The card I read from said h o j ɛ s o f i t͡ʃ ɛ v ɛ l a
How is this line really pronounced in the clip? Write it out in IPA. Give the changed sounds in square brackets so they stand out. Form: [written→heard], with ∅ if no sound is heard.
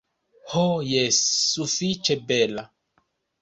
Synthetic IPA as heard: h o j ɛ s [o→u] f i t͡ʃ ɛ [v→b] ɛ l a